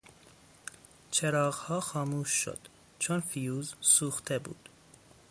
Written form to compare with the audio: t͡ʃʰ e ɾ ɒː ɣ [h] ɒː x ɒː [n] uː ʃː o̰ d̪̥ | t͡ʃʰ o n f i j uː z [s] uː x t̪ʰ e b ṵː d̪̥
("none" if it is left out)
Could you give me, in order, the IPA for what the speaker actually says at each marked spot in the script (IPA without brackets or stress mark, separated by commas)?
h, m, s